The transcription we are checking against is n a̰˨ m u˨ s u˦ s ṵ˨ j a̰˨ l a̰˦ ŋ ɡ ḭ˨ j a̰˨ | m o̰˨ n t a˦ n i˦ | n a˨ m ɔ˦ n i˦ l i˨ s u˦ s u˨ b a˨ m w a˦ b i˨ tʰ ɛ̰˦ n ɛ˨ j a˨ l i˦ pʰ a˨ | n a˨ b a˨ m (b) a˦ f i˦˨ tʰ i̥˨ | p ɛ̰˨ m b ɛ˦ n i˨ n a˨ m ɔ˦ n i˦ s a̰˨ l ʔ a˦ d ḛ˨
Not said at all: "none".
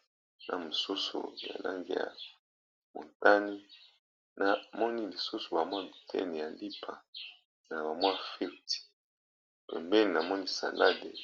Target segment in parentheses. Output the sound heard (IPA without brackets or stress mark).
w